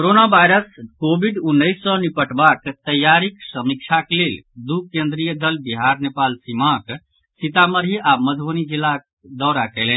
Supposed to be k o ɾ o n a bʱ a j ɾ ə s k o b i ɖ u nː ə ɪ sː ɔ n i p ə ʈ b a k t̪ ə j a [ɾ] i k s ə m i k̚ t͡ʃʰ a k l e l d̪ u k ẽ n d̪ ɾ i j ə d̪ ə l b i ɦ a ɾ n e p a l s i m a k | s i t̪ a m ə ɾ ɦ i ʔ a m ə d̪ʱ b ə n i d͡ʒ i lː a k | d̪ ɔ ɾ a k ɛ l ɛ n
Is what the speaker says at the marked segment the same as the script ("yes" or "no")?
yes